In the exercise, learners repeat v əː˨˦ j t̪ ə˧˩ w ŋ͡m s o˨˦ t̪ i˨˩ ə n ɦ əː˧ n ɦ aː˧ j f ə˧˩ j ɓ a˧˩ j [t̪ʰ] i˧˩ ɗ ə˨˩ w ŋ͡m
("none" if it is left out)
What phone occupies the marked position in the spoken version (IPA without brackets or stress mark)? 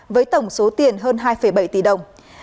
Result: t̪